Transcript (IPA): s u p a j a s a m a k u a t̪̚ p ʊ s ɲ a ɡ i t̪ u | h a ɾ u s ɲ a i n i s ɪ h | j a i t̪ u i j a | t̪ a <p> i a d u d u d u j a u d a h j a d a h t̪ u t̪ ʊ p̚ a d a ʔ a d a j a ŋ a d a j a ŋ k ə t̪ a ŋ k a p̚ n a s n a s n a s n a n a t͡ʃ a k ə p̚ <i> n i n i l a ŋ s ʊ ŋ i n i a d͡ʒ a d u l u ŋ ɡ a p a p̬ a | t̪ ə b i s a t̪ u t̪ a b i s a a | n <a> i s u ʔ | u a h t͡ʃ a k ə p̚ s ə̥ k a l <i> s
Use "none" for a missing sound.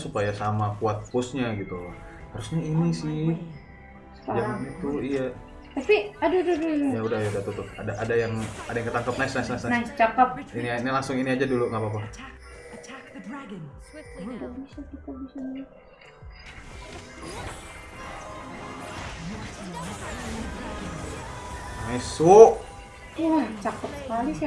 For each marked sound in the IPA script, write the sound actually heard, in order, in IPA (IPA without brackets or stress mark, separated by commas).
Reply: p, i, a, i